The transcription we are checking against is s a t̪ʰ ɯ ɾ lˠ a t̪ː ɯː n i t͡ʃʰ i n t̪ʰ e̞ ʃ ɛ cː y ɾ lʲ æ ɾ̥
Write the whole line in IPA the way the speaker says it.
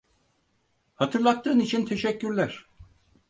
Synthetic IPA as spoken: h a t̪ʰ ɯ ɾ lˠ a t̪ː ɯː n i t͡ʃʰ i n t̪ʰ e̞ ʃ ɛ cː y ɾ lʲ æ ɾ̥